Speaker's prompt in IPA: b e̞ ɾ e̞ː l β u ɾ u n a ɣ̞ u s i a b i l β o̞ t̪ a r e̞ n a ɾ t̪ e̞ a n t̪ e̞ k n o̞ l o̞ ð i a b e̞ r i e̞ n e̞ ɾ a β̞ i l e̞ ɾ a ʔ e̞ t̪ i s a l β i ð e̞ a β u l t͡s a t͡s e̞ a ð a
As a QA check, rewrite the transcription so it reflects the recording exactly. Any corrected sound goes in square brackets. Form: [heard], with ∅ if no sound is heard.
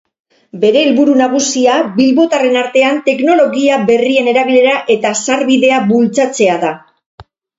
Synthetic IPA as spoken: b e̞ ɾ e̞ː l β u ɾ u n a ɣ̞ u s i a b i l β o̞ t̪ a r e̞ n a ɾ t̪ e̞ a n t̪ e̞ k n o̞ l o̞ [ɣ] i a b e̞ r i e̞ n e̞ ɾ a β̞ i l e̞ ɾ a ʔ e̞ t̪ [a] s a [ɾ] β i ð e̞ a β u l t͡s a t͡s e̞ a ð a

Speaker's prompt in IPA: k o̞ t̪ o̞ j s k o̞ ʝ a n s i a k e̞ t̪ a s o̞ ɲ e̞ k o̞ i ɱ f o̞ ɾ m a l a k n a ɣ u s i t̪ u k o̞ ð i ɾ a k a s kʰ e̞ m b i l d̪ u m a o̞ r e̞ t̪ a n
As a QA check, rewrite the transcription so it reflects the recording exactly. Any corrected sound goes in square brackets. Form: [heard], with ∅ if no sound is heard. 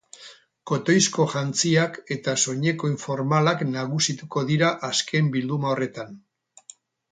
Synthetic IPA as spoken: k o̞ t̪ o̞ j s k o̞ ʝ a n [t͡s] i a k e̞ t̪ a s o̞ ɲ e̞ k o̞ i ɱ f o̞ ɾ m a l a k n a ɣ u s i t̪ u k o̞ ð i ɾ a [ʔ] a s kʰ e̞ m b i l d̪ u m a o̞ r e̞ t̪ a n

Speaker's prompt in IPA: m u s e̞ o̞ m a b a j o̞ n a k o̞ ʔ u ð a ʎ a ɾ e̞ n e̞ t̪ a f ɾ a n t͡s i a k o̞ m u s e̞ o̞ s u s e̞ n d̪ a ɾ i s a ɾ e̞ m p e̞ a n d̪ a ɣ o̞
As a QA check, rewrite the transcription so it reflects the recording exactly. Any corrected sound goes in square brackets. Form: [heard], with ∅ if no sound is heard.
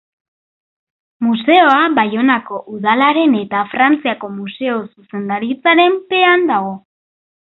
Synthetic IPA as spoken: m u s e̞ o̞ [∅] a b a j o̞ n a k o̞ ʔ u ð a [l] a ɾ e̞ n e̞ t̪ a f ɾ a n t͡s i a k o̞ m u s e̞ o̞ s u s e̞ n d̪ a ɾ i [t͡s] a ɾ e̞ m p e̞ a n d̪ a ɣ o̞

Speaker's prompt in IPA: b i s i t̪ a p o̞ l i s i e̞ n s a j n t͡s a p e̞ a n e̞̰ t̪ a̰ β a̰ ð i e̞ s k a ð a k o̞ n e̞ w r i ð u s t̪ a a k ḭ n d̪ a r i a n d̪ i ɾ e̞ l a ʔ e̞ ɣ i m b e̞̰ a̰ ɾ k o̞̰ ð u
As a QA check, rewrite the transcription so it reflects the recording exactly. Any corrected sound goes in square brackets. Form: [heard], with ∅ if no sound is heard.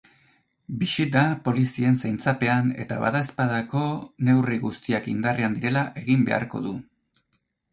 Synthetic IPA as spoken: b i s i t̪ a p o̞ l i s i e̞ n s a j n t͡s a p e̞ a n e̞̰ t̪ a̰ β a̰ ð [a] e̞ s [p] a ð a k o̞ n e̞ w r i [ɣ] u s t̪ [i] a k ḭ n d̪ a r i a n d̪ i ɾ e̞ l a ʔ e̞ ɣ i m b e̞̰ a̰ ɾ k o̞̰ ð u

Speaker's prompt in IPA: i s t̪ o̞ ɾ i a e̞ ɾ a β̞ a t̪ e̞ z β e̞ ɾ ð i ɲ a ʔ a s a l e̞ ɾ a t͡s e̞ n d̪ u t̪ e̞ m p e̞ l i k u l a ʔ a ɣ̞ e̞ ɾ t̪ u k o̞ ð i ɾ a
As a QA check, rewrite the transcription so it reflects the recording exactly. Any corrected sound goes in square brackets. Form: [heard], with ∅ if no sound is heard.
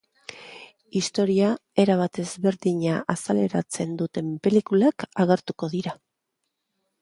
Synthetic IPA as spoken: i s t̪ o̞ ɾ i a e̞ ɾ a β̞ a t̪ e̞ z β e̞ ɾ ð i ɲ a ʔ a s a l e̞ ɾ a t͡s e̞ n d̪ u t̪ e̞ m p e̞ l i k u l a [k] a ɣ̞ e̞ ɾ t̪ u k o̞ ð i ɾ a

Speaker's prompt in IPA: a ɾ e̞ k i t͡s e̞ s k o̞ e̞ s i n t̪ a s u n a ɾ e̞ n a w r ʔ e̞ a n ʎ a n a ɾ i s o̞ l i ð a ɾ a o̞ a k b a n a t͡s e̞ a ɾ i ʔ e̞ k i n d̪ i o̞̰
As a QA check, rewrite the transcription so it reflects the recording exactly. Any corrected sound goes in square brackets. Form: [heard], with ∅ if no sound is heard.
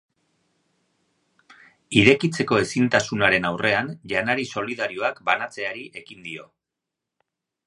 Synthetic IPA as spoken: [i] ɾ e̞ k i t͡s e̞ [∅] k o̞ e̞ s i n t̪ a s u n a ɾ e̞ n a w r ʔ e̞ a n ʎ a n a ɾ i s o̞ l i ð a ɾ [i] o̞ a k b a n a t͡s e̞ a ɾ i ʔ e̞ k i n d̪ i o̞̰

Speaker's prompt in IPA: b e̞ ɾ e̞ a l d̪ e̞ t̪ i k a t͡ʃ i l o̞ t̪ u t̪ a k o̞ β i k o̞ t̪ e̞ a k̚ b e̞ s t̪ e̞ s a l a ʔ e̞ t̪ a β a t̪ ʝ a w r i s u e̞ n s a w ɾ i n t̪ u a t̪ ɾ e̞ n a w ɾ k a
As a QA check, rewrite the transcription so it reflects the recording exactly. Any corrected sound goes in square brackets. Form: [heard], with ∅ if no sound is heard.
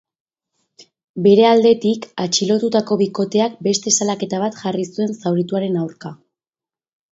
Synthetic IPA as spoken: b e̞ ɾ e̞ a l d̪ e̞ t̪ i k a t͡ʃ i l o̞ t̪ u t̪ a k o̞ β i k o̞ t̪ e̞ a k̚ b e̞ s t̪ e̞ s a l a [k] e̞ t̪ a β a t̪ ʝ a [∅] r i s u e̞ n s a w ɾ i [∅] t̪ u a [∅] ɾ e̞ n a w ɾ k a

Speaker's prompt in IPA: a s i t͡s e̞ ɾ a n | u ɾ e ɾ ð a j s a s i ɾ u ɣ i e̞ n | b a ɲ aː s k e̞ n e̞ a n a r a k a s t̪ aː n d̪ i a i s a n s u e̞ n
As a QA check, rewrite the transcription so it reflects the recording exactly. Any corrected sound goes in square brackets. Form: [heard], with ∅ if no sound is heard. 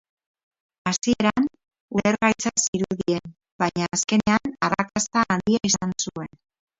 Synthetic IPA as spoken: a s i [∅] e̞ ɾ a n | u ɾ e ɾ [ɣ] a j [t͡s] a s i ɾ u [ð] i e̞ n | b a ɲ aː s k e̞ n e̞ a n a r a k a s t̪ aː n d̪ i a i s a n s u e̞ n

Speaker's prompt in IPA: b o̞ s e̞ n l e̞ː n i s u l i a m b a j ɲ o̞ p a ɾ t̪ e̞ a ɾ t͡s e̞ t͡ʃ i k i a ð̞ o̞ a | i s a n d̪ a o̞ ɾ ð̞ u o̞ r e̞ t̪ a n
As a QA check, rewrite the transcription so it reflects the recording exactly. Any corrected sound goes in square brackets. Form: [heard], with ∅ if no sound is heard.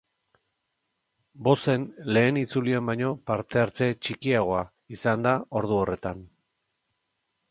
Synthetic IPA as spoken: b o̞ s e̞ n l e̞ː n i [t͡s] u l i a m b a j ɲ o̞ p a ɾ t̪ e̞ a ɾ t͡s e̞ t͡ʃ i k i a [ɣ̞] o̞ a | i s a n d̪ a o̞ ɾ ð̞ u o̞ r e̞ t̪ a n

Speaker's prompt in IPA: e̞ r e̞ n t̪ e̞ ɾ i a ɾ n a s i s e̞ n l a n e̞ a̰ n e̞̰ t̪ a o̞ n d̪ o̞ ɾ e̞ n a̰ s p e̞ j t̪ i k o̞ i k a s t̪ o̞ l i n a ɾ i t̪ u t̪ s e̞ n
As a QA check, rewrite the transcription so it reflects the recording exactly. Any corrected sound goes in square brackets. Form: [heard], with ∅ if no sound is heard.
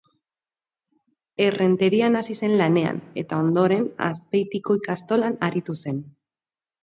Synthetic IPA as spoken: e̞ r e̞ n t̪ e̞ ɾ i a [∅] n a s i s e̞ n l a n e̞ a̰ n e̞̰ t̪ a o̞ n d̪ o̞ ɾ e̞ n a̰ s p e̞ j t̪ i k o̞ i k a s t̪ o̞ l [a] n a ɾ i t̪ u [∅] s e̞ n

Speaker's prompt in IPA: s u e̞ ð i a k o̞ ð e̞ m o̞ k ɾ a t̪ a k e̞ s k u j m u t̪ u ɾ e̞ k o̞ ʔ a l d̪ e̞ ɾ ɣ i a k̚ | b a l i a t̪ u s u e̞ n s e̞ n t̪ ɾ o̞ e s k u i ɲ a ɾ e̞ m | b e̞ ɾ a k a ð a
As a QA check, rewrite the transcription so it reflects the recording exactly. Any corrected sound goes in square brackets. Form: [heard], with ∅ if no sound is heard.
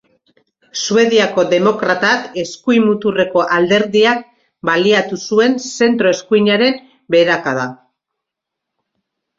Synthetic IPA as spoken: s u e̞ ð i a k o̞ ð e̞ m o̞ k ɾ a t̪ a k e̞ s k u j m u t̪ u [r] e̞ k o̞ ʔ a l d̪ e̞ ɾ [ð] i a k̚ | b a l i a t̪ u s u e̞ n s e̞ n t̪ ɾ o̞ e s k u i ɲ a ɾ e̞ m | b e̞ ɾ a k a ð a

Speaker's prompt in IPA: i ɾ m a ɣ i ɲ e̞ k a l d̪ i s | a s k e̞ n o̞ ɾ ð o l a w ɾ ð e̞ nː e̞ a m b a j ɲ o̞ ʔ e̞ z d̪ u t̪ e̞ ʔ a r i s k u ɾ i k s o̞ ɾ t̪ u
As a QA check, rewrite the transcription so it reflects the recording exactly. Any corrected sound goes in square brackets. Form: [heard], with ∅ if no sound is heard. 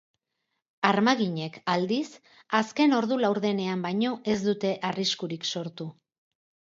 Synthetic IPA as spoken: [a] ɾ m a ɣ i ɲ e̞ k a l d̪ i s | a s k e̞ n o̞ ɾ ð [u] l a w ɾ ð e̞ [n] e̞ a m b a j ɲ o̞ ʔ e̞ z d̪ u t̪ e̞ ʔ a r i s k u ɾ i k s o̞ ɾ t̪ u

